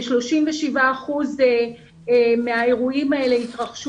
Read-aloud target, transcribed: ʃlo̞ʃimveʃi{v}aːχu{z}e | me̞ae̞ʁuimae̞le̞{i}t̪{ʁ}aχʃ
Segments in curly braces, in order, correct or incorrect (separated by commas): correct, correct, correct, correct